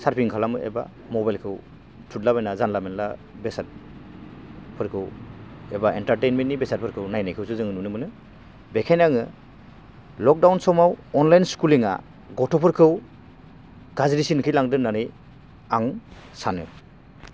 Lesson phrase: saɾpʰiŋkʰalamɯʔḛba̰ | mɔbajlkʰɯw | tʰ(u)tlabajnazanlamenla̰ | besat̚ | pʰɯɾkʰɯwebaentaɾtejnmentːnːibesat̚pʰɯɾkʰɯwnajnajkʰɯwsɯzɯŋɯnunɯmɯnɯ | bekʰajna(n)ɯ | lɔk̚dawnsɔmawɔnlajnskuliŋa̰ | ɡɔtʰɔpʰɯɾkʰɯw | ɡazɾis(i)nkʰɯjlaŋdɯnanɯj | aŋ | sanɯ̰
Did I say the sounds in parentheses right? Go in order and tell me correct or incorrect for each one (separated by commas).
correct, incorrect, correct